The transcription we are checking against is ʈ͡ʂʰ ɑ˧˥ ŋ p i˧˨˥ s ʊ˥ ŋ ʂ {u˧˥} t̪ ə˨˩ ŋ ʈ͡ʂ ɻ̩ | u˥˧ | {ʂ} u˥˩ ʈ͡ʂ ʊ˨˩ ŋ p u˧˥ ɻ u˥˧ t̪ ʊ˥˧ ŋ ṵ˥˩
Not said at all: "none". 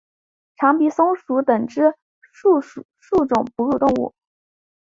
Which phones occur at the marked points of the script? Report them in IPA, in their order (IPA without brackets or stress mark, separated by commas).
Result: u˧˥, ʂ